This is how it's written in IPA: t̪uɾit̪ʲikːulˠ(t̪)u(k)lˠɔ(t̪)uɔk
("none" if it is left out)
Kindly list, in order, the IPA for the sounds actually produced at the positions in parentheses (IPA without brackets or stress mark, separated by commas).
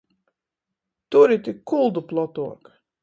d̪, p, t̪